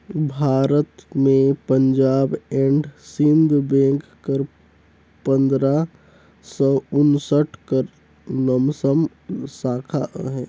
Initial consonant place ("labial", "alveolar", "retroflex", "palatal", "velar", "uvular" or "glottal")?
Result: labial